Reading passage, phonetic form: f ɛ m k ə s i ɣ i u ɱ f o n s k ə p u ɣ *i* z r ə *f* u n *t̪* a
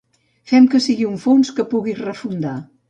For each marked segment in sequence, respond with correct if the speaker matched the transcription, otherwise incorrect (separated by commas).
correct, correct, incorrect